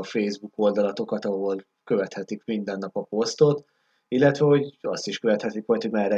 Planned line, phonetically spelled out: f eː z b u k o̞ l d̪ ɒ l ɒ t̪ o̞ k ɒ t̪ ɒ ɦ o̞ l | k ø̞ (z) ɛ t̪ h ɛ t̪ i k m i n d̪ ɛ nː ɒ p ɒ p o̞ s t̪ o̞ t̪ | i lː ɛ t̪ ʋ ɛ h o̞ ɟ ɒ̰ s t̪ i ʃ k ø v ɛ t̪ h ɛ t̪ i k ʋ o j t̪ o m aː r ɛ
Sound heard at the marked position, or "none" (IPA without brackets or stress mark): v